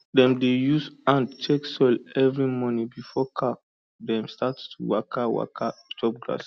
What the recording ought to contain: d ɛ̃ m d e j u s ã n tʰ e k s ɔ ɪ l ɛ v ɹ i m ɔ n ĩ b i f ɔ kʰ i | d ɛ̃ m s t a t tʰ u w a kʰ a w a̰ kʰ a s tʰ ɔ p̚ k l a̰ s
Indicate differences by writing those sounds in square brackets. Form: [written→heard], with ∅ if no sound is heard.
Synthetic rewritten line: d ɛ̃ m d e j u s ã n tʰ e k s ɔ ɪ l ɛ v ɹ i m ɔ n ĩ b i f ɔ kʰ [i→a] | d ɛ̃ m s t a t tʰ u w a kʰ a w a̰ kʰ a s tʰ ɔ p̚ [k→ɡ] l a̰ s